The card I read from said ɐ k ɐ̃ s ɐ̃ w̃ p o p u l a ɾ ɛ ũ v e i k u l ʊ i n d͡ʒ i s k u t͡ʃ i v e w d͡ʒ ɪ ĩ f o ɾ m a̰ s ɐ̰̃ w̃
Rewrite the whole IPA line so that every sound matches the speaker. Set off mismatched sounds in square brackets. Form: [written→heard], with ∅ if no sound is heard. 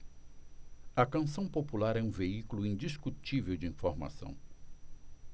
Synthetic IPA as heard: ɐ k ɐ̃ s ɐ̃ w̃ p o p u l a ɾ ɛ ũ v e i k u l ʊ [i→ĩ] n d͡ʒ i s k u t͡ʃ i v e w d͡ʒ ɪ ĩ f o ɾ m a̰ s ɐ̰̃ w̃